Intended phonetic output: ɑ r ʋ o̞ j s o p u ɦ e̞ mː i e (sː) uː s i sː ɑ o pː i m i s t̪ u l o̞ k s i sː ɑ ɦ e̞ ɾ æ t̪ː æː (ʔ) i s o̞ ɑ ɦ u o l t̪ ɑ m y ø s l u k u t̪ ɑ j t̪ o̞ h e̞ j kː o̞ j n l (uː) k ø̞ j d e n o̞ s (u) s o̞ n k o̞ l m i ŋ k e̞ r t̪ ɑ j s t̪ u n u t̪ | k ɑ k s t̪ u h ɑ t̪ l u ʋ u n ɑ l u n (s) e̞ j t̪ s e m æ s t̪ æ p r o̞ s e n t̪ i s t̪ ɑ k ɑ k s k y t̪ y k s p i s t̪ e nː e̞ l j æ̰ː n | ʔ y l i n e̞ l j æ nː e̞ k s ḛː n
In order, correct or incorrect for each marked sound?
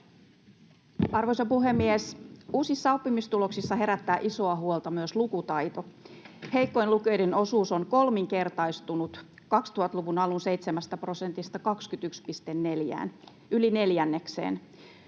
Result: incorrect: s, correct, incorrect: u, incorrect: uː, correct

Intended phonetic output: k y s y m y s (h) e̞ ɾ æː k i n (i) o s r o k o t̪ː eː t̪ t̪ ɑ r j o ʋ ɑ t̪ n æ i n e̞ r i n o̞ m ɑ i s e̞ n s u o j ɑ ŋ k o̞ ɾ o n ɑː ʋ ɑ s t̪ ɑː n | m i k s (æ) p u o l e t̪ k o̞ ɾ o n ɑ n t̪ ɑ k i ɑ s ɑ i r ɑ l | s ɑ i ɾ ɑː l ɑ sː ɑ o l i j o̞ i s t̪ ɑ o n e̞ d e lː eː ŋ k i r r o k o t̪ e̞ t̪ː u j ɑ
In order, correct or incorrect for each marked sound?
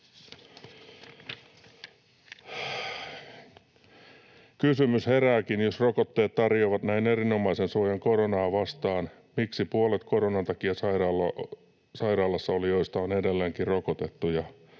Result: correct, incorrect: j, incorrect: i

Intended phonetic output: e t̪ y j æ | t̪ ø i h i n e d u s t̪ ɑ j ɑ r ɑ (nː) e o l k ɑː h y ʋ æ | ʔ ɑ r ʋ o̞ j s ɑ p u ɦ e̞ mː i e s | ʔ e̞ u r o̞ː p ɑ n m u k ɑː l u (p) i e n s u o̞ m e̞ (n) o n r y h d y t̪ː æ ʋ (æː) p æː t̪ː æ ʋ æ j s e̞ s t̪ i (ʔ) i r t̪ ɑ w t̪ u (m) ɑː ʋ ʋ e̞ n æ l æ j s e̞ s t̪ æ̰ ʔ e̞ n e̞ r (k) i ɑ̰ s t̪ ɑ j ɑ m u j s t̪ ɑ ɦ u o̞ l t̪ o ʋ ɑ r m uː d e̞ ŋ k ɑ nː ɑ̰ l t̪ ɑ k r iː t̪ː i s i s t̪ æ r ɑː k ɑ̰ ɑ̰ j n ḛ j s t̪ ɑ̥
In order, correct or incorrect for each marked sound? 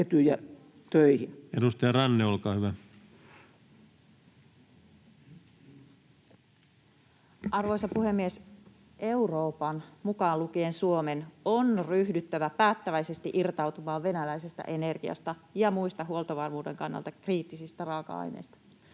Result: correct, incorrect: k, correct, incorrect: æ, correct, correct, incorrect: ɡ

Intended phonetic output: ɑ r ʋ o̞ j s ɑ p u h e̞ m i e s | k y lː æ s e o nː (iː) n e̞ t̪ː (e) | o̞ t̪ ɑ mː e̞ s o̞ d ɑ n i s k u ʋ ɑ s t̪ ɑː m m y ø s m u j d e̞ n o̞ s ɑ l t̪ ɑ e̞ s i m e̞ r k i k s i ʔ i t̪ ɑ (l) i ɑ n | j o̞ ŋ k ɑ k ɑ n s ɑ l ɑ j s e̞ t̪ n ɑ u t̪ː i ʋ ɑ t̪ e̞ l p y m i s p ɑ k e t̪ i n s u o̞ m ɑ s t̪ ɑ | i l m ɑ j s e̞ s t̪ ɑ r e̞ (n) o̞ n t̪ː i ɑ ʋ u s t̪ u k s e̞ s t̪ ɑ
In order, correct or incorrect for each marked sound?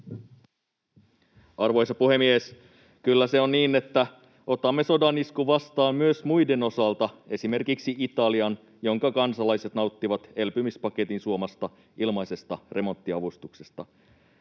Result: correct, incorrect: æ, correct, incorrect: m

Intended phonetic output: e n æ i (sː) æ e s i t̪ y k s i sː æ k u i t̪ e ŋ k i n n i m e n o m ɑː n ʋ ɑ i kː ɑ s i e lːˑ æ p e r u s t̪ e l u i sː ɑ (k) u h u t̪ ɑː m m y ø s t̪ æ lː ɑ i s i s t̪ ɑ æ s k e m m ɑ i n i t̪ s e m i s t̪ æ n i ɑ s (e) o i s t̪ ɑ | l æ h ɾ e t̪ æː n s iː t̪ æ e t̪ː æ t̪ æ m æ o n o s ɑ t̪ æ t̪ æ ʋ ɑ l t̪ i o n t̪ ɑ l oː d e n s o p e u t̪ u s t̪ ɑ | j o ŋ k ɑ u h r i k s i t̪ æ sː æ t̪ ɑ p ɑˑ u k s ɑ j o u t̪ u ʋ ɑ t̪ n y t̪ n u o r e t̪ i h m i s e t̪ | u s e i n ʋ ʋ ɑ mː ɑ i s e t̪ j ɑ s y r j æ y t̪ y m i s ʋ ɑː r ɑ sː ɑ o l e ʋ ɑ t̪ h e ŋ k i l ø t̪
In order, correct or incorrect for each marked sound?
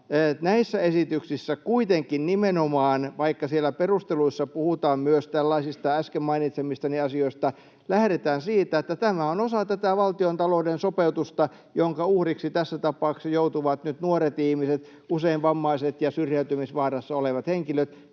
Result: correct, incorrect: p, incorrect: i

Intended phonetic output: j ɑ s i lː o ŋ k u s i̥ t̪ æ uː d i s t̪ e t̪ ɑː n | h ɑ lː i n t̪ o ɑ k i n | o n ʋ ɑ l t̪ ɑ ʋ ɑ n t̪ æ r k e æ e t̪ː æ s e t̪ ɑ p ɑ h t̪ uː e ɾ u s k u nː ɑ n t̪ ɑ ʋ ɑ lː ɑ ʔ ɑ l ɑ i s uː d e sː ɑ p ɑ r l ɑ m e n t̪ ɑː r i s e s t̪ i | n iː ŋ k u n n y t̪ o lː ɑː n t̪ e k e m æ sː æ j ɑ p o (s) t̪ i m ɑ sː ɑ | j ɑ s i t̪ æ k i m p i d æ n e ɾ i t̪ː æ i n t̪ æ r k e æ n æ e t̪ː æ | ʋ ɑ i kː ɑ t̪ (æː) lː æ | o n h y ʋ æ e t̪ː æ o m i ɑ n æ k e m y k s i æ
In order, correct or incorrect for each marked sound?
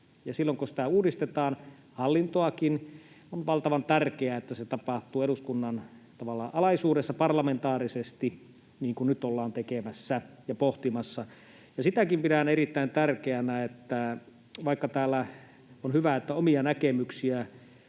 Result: incorrect: h, correct

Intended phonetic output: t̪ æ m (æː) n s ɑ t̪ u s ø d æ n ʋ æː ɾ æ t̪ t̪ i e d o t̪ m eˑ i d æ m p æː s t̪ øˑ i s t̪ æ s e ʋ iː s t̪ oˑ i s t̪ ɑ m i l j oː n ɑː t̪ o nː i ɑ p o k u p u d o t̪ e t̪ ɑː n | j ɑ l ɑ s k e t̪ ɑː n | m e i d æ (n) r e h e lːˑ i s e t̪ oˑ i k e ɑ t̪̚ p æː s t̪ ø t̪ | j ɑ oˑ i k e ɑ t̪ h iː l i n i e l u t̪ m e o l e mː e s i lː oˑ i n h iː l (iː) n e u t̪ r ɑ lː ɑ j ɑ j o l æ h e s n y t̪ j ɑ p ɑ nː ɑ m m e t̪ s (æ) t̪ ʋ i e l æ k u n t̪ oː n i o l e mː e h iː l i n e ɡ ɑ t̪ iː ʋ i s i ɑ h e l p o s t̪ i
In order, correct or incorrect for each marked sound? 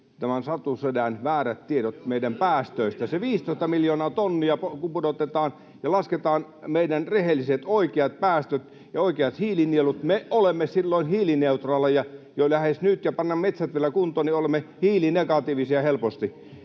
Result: incorrect: æ, correct, incorrect: i, correct

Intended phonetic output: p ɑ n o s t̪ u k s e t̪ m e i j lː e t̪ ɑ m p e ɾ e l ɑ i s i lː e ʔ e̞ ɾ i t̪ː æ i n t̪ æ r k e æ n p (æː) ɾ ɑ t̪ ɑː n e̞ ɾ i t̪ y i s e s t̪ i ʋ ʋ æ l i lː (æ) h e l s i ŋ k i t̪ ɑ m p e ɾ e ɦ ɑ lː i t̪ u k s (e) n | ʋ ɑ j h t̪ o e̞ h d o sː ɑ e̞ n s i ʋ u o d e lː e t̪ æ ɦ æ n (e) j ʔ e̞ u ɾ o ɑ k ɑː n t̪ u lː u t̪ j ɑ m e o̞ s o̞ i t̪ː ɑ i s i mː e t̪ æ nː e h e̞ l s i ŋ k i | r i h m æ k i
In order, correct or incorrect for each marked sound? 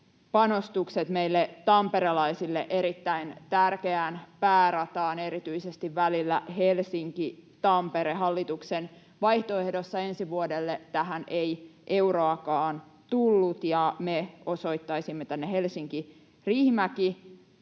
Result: correct, correct, correct, correct

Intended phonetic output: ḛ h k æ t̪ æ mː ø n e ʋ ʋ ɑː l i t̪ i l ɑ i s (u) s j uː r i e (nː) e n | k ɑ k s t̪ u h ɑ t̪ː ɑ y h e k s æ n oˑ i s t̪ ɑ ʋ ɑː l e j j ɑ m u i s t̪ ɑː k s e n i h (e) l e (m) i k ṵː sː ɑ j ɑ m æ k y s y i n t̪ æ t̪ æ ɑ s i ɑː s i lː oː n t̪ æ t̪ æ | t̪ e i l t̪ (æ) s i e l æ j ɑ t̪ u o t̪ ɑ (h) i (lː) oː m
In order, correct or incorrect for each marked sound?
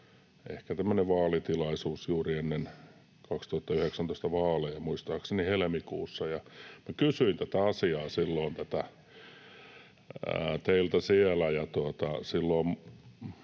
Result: incorrect: uː, correct, correct, correct, correct, incorrect: s, correct

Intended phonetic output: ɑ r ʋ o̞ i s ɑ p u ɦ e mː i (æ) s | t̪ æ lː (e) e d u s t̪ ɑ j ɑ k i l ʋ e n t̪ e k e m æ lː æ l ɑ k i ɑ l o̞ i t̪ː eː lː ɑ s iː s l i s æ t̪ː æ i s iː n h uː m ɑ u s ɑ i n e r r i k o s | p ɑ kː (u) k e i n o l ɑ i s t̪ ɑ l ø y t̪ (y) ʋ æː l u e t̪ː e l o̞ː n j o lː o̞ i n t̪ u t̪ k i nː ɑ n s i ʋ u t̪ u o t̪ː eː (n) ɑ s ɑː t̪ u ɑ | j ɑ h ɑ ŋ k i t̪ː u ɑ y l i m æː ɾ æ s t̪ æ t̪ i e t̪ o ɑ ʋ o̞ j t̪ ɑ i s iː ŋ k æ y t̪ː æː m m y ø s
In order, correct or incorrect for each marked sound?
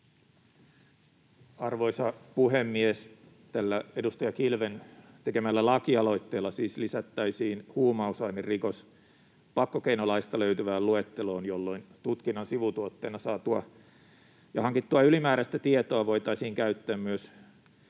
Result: incorrect: e, incorrect: æ, incorrect: o, correct, correct

